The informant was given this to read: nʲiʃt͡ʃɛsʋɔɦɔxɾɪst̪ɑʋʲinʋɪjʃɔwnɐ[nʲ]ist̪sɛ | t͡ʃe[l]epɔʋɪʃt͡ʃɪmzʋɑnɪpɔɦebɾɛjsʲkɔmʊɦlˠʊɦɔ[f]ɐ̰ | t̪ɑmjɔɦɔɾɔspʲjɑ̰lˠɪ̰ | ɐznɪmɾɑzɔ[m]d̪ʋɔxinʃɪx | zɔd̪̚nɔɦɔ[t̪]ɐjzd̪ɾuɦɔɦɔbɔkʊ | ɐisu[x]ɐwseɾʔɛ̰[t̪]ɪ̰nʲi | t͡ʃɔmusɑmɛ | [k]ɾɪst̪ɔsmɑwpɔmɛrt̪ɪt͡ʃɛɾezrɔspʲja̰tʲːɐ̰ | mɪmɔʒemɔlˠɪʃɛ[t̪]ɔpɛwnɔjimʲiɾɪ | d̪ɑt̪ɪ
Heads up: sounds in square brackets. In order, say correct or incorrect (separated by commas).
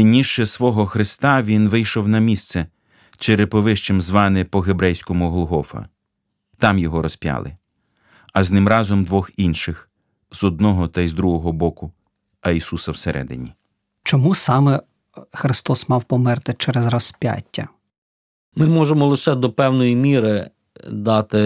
incorrect, incorrect, correct, correct, correct, incorrect, incorrect, incorrect, incorrect